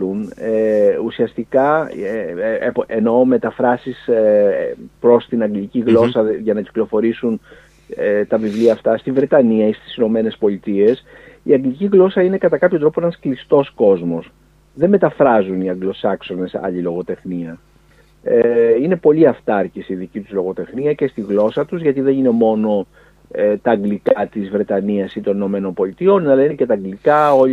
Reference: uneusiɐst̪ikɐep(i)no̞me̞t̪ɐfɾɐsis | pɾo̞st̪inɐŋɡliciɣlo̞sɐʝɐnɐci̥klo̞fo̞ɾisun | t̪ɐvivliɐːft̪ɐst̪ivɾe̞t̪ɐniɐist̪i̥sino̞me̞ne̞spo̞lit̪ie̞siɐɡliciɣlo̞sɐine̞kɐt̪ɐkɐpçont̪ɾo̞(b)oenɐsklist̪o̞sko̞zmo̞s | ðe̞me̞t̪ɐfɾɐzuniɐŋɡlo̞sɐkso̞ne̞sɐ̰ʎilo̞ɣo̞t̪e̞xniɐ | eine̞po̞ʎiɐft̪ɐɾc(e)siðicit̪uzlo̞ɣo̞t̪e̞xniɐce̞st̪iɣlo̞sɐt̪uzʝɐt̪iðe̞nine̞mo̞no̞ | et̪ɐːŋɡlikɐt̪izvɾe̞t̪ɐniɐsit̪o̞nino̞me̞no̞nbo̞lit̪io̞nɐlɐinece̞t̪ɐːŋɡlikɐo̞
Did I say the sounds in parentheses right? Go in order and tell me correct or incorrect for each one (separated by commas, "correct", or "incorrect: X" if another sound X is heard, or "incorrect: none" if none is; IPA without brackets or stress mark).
incorrect: e, incorrect: p, incorrect: i